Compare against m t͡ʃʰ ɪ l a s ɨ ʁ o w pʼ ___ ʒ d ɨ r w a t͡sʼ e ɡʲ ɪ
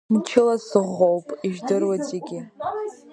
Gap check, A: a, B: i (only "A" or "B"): B